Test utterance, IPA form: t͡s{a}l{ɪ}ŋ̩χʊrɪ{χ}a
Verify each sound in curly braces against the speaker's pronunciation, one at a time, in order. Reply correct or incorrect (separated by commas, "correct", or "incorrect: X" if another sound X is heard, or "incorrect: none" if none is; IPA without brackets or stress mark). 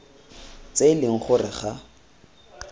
incorrect: e, correct, correct